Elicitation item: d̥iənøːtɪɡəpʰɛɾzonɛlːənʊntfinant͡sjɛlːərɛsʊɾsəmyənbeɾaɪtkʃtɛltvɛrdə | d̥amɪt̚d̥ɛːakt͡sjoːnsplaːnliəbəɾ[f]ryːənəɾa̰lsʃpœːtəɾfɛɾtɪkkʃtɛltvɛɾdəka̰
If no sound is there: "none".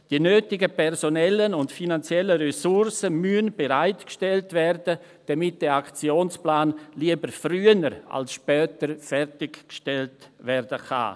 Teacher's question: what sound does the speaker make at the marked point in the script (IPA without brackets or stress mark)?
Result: f